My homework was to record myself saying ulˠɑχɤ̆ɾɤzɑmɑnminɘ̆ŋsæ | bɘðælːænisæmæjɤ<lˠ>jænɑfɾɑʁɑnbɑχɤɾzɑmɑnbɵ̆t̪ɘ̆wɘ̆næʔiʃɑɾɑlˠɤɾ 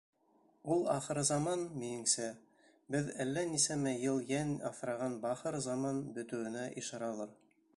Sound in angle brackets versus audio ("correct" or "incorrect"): correct